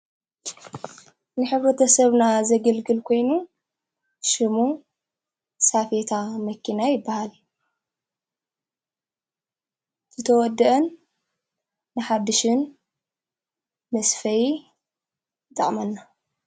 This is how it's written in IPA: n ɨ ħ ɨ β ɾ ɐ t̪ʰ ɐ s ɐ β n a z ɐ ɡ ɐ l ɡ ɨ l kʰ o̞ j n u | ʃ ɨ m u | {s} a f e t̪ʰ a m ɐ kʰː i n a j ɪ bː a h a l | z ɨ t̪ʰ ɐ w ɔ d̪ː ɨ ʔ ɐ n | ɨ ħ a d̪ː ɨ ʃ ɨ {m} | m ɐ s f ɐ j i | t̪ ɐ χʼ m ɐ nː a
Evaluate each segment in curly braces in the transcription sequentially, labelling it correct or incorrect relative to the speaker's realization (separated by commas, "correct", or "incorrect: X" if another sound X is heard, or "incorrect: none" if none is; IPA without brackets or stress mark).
correct, incorrect: n